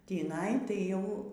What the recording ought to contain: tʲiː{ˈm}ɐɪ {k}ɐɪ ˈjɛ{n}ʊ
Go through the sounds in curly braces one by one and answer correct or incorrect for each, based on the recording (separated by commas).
incorrect, incorrect, incorrect